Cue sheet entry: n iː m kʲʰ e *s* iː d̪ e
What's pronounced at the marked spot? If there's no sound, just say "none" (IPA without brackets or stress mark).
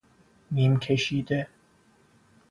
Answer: ʃ